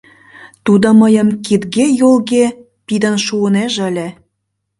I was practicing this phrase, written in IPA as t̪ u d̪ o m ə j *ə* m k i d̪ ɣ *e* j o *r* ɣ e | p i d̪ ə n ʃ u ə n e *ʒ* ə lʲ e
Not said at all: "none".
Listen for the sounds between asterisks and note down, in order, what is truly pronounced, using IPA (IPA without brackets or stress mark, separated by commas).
ə, e, l, ʒ